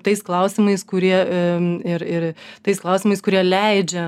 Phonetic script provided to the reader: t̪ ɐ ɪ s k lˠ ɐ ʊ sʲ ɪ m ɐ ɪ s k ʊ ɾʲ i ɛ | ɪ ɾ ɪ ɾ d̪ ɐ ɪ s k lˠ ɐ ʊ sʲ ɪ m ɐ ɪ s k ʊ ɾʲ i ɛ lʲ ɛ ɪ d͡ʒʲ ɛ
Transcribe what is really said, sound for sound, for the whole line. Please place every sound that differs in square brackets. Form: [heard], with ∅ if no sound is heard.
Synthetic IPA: t̪ ɐ ɪ s k lˠ ɐ ʊ sʲ ɪ m ɐ ɪ s k ʊ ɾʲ i ɛ | ɪ ɾ ɪ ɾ [t̪] ɐ ɪ s k lˠ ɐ ʊ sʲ ɪ m ɐ ɪ s k ʊ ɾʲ i ɛ lʲ ɛ ɪ d͡ʒʲ ɛ